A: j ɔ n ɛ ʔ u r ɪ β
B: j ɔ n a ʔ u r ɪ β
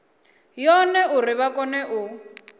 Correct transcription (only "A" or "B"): A